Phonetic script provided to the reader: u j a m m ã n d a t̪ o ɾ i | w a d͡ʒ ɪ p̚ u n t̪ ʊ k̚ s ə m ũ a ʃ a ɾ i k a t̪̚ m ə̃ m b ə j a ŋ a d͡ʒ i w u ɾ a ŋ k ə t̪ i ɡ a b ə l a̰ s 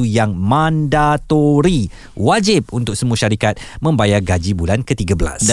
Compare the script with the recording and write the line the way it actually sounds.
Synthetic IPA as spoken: u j a ŋ m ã n d a t̪ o ɾ i | w a d͡ʒ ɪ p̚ u n t̪ ʊ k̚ s ə m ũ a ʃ a ɾ i k a t̪̚ m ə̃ m b a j a ɡ a d͡ʒ i b u l a n k ə t̪ i ɡ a b ə l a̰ s